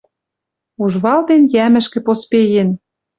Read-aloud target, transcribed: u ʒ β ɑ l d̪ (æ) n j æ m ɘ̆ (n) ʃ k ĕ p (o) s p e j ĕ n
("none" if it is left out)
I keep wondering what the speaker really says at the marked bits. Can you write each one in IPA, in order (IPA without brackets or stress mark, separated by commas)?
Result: e, none, o